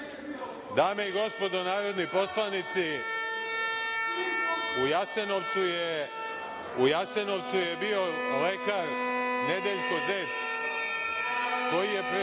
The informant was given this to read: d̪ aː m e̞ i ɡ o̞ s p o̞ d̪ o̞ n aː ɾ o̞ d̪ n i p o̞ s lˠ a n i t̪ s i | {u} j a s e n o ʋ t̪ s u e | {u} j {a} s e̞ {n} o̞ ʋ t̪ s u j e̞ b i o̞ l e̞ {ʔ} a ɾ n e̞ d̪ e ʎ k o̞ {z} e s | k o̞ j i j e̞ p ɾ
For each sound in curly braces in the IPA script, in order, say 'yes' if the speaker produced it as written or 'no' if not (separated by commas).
yes, yes, yes, yes, no, yes